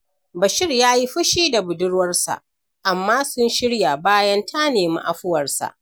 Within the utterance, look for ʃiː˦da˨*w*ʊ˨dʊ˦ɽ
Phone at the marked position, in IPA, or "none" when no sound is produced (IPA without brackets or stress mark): b